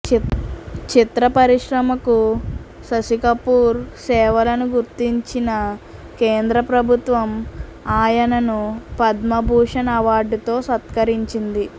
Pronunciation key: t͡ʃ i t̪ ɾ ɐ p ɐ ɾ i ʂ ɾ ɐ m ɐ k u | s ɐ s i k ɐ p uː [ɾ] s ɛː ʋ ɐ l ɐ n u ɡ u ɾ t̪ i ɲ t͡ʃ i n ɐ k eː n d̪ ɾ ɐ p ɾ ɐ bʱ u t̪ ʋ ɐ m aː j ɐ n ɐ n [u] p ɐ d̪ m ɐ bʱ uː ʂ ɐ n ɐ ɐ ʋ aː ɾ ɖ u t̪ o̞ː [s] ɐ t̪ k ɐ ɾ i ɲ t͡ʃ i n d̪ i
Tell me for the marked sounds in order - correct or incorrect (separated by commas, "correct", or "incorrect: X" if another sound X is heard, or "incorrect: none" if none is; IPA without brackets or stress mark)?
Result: correct, correct, correct